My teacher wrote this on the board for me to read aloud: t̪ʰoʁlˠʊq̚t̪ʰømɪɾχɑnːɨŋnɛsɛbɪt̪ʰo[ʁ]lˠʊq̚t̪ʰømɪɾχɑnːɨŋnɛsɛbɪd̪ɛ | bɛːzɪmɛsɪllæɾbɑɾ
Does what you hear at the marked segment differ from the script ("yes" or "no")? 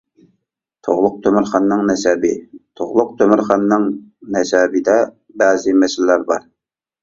no